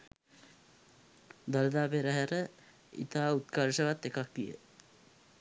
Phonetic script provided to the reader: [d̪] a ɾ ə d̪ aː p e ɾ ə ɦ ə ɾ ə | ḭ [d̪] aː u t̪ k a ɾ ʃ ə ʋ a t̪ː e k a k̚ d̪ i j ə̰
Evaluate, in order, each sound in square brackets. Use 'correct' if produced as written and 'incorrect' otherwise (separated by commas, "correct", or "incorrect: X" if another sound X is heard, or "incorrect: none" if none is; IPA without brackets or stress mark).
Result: correct, incorrect: t̪